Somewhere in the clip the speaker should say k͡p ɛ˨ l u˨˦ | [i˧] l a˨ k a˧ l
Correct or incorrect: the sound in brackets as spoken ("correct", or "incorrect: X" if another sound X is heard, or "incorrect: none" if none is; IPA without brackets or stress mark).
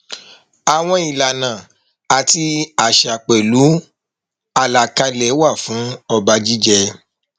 incorrect: a˧